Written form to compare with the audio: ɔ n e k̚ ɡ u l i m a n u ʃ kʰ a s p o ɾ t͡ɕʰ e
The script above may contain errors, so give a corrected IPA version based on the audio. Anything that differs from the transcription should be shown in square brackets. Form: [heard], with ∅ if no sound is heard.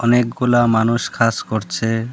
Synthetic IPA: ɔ n e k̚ ɡ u l [a] m a n u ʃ kʰ a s [k] o ɾ t͡ɕʰ e